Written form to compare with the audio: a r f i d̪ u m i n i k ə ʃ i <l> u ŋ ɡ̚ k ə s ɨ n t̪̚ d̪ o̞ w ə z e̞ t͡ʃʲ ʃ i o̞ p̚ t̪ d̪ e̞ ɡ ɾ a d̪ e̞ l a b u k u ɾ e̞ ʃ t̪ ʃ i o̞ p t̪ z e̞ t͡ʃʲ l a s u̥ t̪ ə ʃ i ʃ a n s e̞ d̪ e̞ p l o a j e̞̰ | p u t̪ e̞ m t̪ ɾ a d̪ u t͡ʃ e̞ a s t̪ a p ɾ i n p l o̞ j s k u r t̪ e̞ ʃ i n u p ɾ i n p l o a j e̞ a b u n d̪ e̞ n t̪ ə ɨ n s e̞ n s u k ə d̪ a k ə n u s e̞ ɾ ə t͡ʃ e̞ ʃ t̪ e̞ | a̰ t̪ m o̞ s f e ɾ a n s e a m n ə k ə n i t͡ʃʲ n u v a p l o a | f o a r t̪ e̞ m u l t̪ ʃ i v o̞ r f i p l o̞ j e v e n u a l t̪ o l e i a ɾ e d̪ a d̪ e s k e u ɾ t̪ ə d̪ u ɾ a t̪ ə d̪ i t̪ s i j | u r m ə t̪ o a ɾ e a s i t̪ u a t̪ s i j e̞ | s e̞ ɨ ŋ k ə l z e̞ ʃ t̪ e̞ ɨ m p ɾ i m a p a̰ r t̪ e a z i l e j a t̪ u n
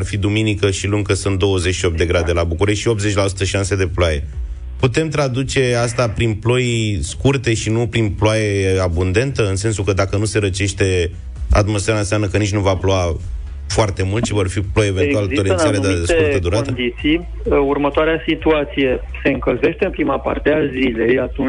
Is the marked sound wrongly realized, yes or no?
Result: no